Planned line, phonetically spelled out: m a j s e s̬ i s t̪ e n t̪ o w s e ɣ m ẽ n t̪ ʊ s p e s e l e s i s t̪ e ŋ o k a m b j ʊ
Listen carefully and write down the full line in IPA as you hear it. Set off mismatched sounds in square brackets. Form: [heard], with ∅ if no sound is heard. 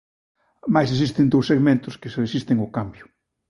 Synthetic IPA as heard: m a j s e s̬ i s t̪ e n [d̪] o w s e ɣ m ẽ n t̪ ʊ s [k] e s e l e s i s t̪ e ŋ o k a m b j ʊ